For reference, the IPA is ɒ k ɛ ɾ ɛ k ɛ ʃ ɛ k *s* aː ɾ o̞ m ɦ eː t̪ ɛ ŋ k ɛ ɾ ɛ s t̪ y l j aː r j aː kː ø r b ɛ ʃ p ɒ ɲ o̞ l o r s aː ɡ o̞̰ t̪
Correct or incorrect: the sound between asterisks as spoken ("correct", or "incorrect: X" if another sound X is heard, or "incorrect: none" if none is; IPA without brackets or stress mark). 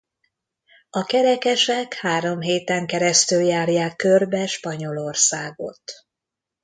incorrect: h